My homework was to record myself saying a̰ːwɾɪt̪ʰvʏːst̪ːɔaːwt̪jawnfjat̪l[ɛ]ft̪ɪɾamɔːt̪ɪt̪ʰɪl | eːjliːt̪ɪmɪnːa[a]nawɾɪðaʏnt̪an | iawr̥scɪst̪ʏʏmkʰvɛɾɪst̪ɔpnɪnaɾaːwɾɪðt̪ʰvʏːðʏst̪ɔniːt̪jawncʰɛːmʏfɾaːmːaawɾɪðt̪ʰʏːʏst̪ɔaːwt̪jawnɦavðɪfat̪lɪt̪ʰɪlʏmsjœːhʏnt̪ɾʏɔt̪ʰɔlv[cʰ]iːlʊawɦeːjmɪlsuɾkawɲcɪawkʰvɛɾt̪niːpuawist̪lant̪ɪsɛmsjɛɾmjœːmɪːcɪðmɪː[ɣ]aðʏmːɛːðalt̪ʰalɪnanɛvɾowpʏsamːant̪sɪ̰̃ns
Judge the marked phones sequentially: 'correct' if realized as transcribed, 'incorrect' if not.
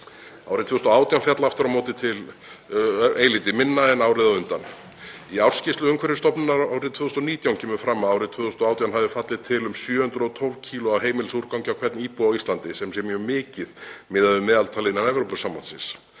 incorrect: a, incorrect: ɛ, correct, incorrect: ð

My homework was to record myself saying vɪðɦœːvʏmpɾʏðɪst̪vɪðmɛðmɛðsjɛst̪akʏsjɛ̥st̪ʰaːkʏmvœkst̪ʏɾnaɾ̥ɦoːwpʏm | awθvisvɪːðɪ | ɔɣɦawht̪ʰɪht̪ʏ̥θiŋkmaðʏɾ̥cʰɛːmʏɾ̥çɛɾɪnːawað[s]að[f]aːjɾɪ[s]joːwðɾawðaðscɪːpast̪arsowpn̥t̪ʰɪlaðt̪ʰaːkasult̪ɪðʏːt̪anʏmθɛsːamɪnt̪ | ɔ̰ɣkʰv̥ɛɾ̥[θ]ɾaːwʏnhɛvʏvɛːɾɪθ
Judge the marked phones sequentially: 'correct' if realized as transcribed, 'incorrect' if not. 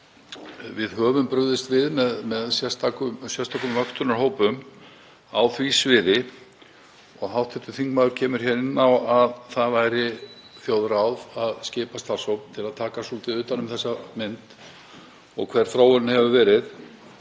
incorrect: θ, incorrect: v, incorrect: θ, correct

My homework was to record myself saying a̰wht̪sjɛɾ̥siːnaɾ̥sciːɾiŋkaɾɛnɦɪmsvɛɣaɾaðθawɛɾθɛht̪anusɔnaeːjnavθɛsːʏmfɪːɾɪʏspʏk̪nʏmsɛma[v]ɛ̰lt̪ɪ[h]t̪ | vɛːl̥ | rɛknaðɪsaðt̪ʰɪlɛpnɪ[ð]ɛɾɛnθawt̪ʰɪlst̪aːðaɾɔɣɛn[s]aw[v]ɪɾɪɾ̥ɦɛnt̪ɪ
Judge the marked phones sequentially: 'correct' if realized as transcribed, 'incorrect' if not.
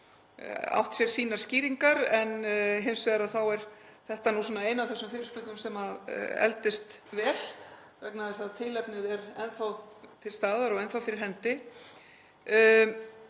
incorrect: ð, incorrect: s, correct, incorrect: θ, incorrect: f

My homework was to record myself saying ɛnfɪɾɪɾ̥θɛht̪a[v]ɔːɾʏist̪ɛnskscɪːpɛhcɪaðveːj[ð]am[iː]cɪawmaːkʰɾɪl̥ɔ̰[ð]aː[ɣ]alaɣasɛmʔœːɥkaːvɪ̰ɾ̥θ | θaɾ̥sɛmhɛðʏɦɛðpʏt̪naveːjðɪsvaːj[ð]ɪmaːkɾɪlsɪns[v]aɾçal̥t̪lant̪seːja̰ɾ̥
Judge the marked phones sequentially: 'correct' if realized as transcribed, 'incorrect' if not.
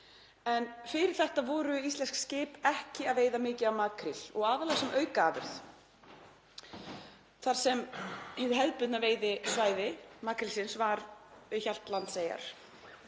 correct, correct, incorrect: ɪː, incorrect: ɣ, incorrect: ð, correct, correct

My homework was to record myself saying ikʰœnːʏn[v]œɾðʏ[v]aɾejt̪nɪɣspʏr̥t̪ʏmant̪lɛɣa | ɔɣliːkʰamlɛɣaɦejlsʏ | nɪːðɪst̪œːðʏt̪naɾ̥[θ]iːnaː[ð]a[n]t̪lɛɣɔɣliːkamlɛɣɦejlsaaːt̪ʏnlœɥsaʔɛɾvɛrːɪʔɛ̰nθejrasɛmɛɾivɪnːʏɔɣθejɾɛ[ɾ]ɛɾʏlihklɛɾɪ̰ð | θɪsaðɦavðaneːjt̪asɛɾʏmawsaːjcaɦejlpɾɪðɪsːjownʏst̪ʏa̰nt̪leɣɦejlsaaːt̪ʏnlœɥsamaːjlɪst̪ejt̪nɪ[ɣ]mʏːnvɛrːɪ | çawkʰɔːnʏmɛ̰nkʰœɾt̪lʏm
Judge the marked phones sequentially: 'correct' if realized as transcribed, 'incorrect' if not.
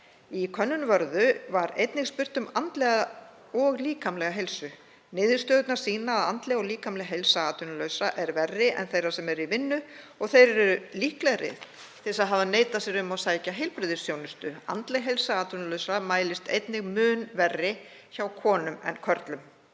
correct, correct, incorrect: s, correct, correct, correct, correct

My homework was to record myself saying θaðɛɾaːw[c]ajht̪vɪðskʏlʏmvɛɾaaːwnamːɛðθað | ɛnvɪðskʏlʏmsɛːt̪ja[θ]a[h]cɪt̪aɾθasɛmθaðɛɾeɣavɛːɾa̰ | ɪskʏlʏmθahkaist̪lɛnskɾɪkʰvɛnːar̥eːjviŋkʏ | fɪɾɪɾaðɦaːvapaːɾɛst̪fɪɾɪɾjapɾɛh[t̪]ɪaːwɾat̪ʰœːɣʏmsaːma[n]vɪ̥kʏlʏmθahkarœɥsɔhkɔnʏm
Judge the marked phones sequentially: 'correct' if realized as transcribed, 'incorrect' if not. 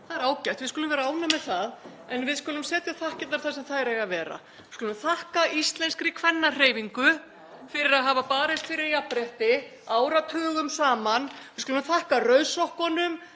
correct, correct, correct, correct, correct

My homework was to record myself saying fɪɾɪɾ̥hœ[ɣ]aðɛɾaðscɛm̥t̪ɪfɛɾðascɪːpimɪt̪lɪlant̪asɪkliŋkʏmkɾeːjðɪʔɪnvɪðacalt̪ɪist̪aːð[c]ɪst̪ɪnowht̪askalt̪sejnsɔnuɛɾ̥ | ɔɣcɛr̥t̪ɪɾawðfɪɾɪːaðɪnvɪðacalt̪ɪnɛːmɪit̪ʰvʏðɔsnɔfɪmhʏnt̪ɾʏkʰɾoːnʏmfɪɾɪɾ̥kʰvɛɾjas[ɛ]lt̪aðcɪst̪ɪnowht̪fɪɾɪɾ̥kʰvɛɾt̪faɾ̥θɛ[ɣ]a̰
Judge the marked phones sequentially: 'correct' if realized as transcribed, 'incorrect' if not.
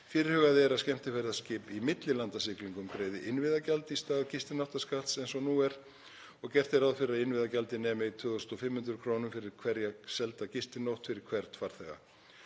correct, correct, correct, correct

